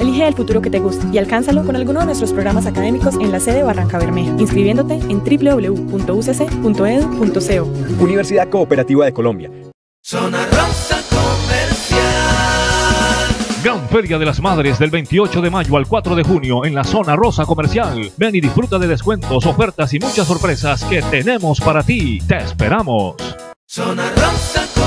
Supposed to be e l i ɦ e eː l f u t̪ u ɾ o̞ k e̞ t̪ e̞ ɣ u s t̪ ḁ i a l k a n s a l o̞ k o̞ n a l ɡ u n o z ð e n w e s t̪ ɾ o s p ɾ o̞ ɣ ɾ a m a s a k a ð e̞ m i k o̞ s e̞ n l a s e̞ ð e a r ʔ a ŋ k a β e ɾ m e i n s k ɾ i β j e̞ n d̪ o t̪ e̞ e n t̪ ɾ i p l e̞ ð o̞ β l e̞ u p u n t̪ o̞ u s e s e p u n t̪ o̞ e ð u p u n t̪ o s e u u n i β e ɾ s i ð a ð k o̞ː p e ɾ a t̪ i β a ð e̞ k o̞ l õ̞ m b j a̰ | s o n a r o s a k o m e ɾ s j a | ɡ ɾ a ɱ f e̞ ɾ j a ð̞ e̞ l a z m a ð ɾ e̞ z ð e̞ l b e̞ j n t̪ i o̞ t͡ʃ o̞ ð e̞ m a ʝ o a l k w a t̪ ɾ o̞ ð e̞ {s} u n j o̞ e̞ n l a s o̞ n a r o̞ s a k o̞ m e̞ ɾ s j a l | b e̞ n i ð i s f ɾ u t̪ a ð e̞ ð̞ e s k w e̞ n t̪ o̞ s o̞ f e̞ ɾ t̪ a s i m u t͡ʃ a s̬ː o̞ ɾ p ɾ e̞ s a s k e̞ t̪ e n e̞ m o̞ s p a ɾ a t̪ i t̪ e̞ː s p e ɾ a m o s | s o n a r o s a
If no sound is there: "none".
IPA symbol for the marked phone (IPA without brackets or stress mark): x